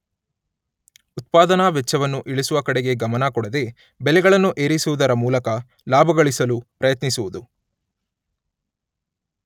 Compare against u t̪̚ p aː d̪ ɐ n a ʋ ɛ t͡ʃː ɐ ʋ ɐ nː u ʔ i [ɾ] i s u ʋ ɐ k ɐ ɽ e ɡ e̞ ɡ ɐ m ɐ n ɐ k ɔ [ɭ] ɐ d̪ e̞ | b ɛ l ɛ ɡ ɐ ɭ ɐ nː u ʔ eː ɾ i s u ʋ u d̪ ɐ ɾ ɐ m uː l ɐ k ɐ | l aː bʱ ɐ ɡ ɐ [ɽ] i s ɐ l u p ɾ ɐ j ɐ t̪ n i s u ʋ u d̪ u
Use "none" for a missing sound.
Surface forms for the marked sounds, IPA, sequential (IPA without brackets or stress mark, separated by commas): ɭ, ɽ, ɭ